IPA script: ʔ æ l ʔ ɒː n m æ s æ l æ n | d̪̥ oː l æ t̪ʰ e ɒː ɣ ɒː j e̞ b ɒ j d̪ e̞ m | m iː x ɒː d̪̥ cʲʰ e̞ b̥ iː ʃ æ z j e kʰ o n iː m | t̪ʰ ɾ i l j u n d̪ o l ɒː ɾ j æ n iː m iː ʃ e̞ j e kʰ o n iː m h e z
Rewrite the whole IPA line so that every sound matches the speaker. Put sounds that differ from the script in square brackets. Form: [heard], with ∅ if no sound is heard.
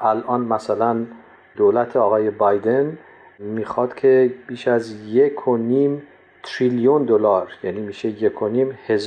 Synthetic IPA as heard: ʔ æ l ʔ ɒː n m æ s æ l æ n | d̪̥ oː l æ t̪ʰ e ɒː ɣ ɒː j e̞ b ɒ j d̪ e̞ [n] | m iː x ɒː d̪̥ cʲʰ e̞ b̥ iː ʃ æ z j e kʰ o n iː m | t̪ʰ ɾ i l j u n d̪ o l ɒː ɾ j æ n iː m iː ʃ e̞ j e kʰ o n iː m h e z